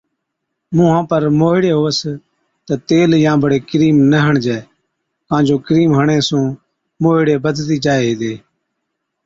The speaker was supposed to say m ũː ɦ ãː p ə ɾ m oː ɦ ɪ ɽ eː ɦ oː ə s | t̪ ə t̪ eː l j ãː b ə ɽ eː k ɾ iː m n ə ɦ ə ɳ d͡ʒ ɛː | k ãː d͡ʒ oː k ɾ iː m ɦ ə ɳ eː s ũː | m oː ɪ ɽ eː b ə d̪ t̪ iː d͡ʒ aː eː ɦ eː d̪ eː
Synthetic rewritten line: m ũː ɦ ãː p ə ɾ m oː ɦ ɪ ɽ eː ɦ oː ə s | t̪ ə t̪ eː l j ãː b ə ɽ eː k ɾ iː m n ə ɦ ə ɳ d͡ʒ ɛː | k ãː d͡ʒ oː k ɾ iː m ɦ ə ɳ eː s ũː | m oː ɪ ɽ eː b ə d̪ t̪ iː d͡ʒ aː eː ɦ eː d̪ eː

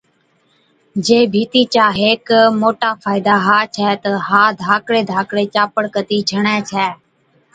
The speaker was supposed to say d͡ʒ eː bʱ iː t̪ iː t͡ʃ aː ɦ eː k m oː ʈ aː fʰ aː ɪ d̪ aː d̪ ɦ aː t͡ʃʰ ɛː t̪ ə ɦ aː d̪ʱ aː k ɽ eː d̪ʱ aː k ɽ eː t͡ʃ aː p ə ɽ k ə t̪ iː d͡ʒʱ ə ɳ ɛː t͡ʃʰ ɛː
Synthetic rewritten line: d͡ʒ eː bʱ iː t̪ iː t͡ʃ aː ɦ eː k m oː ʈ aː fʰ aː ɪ d̪ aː ɦ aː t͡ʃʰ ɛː t̪ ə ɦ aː d̪ʱ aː k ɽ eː d̪ʱ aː k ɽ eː t͡ʃ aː p ə ɽ k ə t̪ iː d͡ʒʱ ə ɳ ɛː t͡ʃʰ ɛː

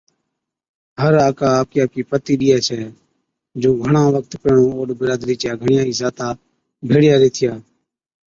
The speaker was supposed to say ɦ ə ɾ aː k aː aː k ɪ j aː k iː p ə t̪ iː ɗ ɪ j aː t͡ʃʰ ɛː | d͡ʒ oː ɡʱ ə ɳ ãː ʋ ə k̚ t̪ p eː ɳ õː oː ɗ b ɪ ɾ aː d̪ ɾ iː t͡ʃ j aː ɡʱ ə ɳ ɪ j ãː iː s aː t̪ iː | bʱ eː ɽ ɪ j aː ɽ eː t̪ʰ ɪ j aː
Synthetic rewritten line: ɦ ə ɾ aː k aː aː k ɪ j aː k iː p ə t̪ iː ɗ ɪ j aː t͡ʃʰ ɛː | d͡ʒ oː ɡʱ ə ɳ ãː ʋ ə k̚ t̪ p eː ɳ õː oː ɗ b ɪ ɾ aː d̪ ɾ iː t͡ʃ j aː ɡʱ ə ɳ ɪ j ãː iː s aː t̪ aː | bʱ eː ɽ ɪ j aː ɾ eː t̪ʰ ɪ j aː

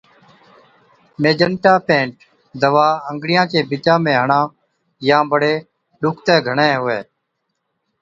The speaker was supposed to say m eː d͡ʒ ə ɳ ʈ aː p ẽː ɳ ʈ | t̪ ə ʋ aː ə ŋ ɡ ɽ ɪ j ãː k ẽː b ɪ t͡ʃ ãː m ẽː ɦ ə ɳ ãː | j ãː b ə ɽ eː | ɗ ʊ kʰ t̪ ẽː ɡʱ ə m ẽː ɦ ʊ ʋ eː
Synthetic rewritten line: m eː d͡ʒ ə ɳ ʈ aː p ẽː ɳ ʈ | d̪ ə ʋ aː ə ŋ ɡ ɽ ɪ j ãː k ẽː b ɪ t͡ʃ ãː m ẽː ɦ ə ɳ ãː | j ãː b ə ɽ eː | ɗ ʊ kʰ t̪ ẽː ɡʱ ə ɳ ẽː ɦ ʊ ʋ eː

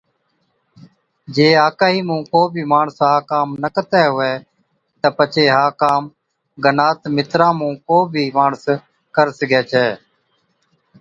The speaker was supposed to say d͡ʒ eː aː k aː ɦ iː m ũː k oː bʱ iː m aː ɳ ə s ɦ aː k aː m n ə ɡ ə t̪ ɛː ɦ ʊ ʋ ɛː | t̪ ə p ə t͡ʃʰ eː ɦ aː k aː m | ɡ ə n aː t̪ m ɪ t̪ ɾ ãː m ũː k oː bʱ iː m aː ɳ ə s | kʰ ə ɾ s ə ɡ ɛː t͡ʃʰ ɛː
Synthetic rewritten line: d͡ʒ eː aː k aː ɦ iː m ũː k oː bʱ iː m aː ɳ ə s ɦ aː k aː m n ə k ə t̪ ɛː ɦ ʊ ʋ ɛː | t̪ ə p ə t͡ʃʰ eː ɦ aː k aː m | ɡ ə n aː t̪ m ɪ t̪ ɾ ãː m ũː k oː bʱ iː m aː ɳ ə s | k ə ɾ s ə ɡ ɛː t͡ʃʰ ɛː

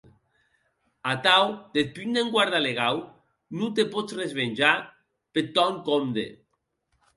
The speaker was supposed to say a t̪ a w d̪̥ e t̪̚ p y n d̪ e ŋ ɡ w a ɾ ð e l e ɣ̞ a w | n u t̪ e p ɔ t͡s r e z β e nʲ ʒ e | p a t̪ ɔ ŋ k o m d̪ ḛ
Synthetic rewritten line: a t̪ a w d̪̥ e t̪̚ p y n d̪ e ŋ ɡ w a ɾ ð a l e ɣ̞ a w | n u t̪ e p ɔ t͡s r e z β e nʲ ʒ a | p e t̪ ɔ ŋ k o m d̪ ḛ

